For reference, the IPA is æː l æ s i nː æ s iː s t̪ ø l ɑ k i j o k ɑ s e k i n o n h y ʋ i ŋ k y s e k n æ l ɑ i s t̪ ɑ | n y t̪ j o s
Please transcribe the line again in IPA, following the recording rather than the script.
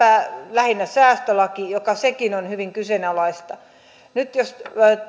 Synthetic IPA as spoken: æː l æ h i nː æ s æː s t̪ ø l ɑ k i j o k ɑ s e k i n o n h y ʋ i ŋ k y s e n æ l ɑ i s t̪ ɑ | n y t̪ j o s